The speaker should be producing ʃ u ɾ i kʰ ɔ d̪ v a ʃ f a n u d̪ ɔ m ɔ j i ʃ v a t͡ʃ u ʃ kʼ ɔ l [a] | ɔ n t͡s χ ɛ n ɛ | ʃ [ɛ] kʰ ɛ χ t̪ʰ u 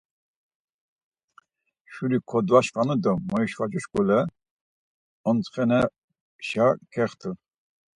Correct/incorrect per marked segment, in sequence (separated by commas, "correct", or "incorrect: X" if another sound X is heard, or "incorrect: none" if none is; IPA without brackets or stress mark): incorrect: ɛ, incorrect: a